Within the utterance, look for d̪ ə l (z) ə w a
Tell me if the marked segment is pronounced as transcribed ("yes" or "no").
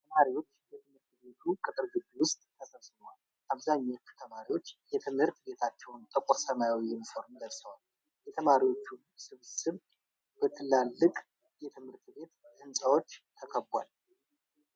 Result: no